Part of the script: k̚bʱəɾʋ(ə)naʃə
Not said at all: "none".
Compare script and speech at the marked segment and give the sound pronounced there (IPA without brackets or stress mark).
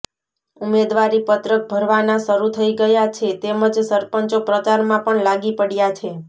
a